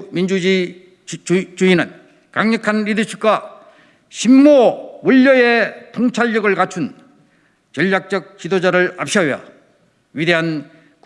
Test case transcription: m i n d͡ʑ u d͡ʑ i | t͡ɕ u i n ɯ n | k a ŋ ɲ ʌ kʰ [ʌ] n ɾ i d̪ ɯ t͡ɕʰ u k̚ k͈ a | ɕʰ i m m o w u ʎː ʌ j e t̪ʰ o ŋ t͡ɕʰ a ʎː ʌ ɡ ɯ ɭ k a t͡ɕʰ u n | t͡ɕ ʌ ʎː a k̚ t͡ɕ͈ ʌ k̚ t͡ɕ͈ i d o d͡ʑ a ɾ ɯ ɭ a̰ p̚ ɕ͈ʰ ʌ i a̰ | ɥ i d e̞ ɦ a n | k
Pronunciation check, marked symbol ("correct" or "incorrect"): incorrect